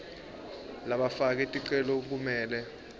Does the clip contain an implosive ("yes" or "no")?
yes